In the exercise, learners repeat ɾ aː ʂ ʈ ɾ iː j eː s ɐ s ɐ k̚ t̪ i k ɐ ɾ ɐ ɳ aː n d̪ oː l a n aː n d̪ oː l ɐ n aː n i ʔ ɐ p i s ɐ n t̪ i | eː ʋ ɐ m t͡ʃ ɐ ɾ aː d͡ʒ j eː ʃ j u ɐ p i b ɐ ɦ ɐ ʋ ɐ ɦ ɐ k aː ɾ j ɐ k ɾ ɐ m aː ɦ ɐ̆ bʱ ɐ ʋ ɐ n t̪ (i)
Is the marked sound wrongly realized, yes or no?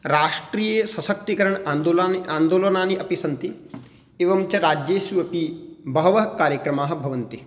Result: no